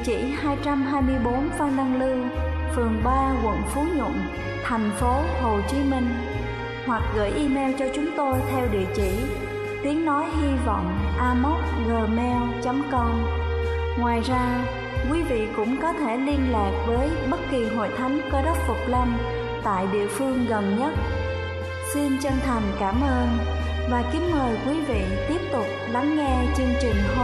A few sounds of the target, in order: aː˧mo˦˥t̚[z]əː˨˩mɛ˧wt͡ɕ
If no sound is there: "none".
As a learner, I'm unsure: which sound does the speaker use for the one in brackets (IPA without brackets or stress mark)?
ɣ